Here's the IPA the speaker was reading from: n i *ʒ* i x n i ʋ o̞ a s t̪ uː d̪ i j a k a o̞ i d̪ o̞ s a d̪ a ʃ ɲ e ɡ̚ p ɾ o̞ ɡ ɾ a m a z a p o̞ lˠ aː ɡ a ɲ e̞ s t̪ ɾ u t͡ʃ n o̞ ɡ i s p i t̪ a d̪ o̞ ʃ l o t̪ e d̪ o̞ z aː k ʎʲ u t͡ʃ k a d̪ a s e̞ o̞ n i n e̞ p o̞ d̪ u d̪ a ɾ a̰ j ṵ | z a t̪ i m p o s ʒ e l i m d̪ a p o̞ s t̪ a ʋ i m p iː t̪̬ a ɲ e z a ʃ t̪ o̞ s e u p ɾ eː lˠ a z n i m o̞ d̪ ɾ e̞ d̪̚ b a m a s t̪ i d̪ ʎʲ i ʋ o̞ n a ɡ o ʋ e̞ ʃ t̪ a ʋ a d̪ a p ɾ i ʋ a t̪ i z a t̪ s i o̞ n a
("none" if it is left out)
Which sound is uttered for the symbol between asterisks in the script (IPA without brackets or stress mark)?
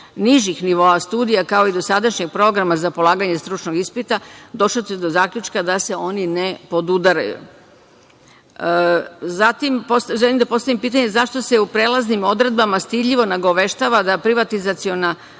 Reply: ʒ